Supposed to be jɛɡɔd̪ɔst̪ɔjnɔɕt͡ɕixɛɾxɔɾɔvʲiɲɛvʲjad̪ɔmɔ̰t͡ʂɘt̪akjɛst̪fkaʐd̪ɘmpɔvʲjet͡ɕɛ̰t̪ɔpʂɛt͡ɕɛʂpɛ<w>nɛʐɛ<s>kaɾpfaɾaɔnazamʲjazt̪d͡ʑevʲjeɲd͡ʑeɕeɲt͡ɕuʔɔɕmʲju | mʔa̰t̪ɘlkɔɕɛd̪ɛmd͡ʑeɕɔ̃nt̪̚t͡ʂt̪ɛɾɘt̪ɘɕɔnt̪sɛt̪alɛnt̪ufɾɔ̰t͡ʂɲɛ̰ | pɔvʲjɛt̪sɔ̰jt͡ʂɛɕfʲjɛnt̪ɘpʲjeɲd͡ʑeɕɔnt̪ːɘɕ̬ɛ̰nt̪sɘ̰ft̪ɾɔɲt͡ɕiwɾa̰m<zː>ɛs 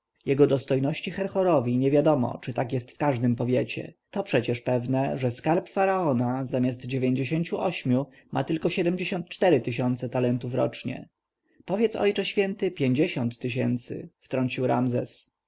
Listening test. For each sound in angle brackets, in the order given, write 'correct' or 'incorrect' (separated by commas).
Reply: incorrect, correct, incorrect